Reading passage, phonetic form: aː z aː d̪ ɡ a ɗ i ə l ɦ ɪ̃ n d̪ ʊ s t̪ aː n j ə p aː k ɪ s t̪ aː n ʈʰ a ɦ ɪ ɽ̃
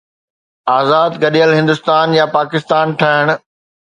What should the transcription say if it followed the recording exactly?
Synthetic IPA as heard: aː z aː d̪ ɡ ɐ ɗ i ə l ɦ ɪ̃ n d̪ ʊ s t̪ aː n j a p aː k ɪ s t̪ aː n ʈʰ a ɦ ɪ ɽ̃